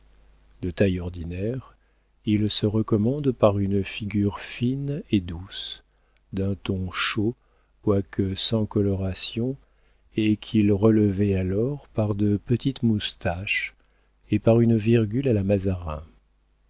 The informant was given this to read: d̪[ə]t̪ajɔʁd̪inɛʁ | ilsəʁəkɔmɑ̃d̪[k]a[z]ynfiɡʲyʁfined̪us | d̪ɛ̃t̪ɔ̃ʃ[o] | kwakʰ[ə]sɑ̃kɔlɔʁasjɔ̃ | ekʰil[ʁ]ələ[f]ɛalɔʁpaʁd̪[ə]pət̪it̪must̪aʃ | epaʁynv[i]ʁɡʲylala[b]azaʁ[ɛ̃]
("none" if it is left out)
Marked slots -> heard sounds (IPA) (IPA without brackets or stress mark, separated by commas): ə, p, ʁ, o, ə, ʁ, v, ə, i, m, ɛ̃